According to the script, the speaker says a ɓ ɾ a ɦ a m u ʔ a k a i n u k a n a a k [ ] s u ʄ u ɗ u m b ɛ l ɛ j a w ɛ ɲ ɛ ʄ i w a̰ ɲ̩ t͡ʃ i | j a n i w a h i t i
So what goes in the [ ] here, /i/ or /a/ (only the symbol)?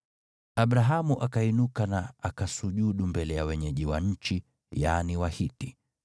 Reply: a